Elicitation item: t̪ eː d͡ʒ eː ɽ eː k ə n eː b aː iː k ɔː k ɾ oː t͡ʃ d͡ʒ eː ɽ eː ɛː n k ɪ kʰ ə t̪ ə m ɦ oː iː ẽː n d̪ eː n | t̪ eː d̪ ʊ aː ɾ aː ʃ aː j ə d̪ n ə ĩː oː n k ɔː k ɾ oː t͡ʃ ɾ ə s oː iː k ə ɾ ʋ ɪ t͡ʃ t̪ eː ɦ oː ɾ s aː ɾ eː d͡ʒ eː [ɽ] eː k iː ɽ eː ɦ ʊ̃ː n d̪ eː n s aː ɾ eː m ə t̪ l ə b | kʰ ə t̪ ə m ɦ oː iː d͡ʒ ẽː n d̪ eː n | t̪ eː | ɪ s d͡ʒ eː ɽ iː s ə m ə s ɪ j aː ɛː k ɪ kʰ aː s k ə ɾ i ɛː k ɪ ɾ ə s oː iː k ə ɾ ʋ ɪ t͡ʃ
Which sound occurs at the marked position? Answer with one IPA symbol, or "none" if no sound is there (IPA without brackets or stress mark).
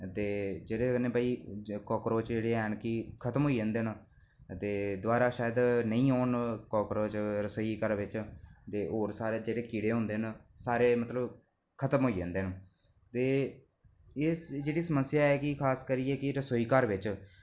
ɽ